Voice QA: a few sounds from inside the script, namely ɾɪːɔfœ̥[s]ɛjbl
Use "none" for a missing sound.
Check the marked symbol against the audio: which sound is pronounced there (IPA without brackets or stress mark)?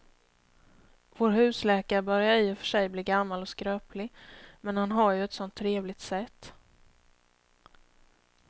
ʂ